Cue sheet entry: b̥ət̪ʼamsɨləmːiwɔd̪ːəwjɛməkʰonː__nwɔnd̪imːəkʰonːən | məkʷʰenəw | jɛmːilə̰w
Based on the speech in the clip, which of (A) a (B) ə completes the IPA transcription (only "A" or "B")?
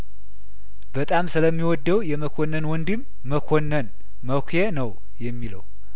B